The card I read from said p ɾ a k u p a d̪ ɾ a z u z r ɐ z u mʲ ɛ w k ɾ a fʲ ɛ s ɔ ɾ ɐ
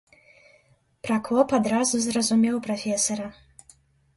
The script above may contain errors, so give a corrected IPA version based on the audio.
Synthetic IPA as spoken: p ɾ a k ɔ p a d̪ ɾ a z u z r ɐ z u mʲ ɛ w p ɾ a fʲ ɛ s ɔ ɾ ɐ